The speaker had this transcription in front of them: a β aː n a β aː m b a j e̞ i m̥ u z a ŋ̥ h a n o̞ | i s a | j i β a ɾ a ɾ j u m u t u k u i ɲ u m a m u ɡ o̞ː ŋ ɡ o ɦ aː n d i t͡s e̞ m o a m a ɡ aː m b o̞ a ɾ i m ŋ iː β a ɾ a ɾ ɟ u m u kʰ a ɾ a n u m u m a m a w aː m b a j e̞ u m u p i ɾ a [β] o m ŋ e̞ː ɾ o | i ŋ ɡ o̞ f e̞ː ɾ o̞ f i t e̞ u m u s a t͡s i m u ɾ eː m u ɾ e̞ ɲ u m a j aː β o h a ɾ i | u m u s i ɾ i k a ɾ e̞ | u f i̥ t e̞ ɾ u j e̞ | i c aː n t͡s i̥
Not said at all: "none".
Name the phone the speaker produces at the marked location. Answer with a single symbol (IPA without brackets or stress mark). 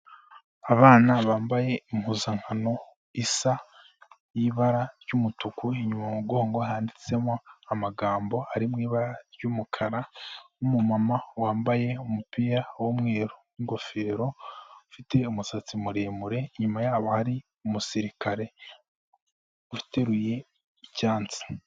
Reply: w